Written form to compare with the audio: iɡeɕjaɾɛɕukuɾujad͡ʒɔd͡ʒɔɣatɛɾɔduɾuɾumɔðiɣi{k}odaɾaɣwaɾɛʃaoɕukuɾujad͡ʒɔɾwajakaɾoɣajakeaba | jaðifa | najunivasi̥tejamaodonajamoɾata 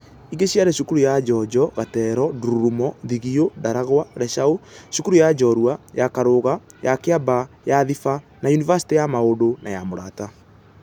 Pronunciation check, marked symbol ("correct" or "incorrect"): incorrect